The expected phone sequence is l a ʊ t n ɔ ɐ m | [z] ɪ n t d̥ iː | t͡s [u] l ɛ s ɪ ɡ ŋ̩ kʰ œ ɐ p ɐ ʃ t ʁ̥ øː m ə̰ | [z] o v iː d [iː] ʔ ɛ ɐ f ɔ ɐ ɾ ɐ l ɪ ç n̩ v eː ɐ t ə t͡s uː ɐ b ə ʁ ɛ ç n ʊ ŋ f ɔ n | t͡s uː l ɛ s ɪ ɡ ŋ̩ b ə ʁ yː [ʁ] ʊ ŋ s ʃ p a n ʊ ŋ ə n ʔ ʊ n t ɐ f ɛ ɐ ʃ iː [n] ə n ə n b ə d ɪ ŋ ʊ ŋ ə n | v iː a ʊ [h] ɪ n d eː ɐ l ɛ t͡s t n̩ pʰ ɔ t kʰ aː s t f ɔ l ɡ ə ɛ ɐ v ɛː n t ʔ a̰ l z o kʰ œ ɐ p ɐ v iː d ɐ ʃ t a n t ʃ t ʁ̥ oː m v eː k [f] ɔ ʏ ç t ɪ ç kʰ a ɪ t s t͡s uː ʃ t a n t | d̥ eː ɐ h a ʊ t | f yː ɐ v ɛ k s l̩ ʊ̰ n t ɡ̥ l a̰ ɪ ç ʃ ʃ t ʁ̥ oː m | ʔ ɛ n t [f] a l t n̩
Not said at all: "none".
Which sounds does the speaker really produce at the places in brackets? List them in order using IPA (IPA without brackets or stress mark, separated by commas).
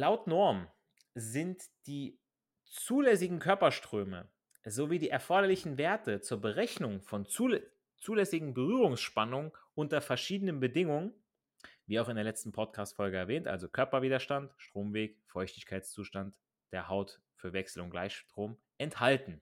z, uː, z, iː, ʁ, d, x, f, h